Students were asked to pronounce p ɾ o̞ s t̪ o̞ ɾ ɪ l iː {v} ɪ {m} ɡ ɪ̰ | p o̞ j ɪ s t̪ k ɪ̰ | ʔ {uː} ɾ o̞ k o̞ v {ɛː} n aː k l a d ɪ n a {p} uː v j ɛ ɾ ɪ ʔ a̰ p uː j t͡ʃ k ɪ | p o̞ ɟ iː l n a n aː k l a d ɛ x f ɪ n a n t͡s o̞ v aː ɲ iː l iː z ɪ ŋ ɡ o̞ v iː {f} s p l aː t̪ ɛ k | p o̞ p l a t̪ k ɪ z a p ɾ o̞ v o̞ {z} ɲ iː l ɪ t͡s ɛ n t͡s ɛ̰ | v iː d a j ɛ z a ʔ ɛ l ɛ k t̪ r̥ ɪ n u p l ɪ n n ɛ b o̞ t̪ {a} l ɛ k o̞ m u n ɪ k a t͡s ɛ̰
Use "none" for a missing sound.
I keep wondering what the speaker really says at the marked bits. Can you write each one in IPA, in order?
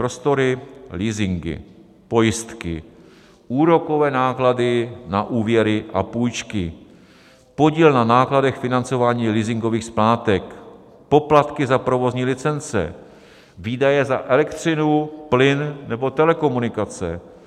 z, ŋ, uː, ɛː, ʔ, x, z, ɛ

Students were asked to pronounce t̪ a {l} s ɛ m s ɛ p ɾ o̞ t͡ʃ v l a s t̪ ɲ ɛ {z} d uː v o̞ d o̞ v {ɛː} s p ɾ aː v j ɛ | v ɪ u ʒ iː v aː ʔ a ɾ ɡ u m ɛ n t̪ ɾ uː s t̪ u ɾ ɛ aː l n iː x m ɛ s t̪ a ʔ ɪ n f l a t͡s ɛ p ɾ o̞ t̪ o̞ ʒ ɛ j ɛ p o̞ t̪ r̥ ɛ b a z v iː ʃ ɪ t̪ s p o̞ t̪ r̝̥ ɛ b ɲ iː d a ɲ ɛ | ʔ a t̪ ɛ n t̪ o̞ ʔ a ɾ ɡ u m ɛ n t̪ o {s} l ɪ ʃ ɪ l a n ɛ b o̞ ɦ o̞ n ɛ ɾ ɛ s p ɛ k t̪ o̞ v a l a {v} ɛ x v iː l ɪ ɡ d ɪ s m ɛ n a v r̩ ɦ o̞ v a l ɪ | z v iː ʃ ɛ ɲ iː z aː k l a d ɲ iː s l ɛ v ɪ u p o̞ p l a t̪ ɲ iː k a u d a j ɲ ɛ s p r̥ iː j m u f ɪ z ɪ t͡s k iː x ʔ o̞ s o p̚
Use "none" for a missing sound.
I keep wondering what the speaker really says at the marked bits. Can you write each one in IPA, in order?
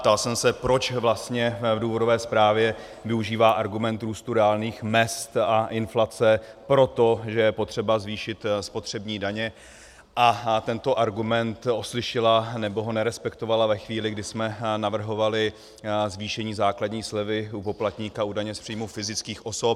l, v, ɛː, s, v

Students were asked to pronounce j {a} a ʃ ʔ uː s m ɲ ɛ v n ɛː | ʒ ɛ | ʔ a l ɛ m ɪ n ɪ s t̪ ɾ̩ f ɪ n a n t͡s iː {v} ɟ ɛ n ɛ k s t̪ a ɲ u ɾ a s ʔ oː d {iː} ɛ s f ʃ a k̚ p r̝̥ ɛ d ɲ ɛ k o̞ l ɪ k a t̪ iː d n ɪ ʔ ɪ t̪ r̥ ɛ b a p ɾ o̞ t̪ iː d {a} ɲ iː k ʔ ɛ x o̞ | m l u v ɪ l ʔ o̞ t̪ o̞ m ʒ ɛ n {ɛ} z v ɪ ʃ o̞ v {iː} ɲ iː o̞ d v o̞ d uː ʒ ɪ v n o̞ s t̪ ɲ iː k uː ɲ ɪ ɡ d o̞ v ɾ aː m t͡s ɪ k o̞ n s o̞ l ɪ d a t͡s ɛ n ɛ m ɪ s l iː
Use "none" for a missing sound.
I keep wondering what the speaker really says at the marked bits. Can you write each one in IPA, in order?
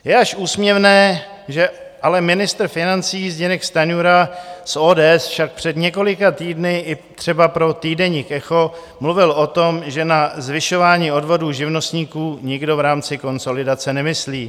ɛ, z, ɛː, ɛ, a, aː

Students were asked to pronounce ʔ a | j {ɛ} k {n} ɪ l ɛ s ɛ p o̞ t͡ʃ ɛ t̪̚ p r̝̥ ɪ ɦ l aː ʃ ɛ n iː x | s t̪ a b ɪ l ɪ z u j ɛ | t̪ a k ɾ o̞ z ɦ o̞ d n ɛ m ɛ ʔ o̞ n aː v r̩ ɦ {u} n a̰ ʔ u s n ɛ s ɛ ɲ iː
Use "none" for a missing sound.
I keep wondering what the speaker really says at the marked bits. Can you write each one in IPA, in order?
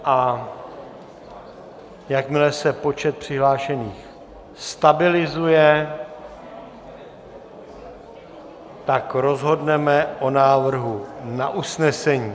a, m, u

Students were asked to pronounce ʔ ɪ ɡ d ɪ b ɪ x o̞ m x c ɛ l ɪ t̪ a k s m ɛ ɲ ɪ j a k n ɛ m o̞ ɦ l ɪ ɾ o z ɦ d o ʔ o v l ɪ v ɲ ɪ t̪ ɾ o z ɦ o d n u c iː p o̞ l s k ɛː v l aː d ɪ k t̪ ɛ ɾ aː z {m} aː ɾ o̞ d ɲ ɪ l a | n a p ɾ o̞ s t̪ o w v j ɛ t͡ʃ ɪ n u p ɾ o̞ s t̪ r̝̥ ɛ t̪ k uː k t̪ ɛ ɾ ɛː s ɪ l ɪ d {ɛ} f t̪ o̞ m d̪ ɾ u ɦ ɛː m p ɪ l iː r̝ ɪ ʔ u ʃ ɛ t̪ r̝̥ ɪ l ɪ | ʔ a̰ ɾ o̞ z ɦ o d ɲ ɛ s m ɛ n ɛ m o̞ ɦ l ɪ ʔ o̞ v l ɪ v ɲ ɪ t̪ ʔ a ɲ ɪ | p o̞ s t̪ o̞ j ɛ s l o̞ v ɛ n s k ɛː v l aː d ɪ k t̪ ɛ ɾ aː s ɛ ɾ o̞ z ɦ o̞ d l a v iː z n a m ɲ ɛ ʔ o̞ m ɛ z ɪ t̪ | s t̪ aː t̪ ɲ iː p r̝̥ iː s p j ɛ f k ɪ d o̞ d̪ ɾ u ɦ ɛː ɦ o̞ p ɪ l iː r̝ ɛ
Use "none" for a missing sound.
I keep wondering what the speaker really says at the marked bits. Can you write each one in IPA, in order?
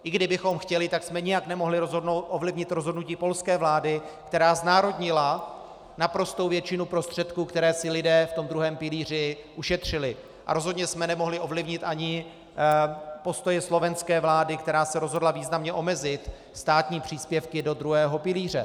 n, ɛː

